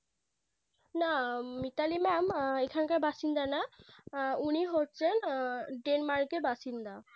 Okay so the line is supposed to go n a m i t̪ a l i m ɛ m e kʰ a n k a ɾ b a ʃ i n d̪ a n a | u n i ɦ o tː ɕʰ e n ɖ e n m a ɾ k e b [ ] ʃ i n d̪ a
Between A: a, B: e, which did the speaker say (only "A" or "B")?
A